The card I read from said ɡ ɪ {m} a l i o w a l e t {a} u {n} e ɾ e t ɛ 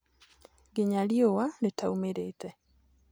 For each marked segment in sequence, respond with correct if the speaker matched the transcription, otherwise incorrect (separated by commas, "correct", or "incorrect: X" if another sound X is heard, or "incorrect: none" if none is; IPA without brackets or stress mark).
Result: incorrect: ɲ, correct, incorrect: m